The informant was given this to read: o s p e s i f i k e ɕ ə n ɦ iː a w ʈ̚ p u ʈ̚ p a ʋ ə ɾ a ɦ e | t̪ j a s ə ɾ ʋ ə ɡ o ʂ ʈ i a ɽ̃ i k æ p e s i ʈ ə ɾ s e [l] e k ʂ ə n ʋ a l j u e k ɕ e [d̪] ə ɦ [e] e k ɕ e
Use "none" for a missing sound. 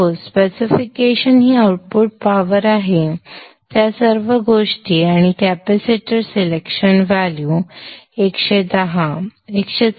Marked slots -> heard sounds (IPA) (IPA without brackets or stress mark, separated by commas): l, d̪, a